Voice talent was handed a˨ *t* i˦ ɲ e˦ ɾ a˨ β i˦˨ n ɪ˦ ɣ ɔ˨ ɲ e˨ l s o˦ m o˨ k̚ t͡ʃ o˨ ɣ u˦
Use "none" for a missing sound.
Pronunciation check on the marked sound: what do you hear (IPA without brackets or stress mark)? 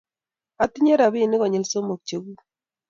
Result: t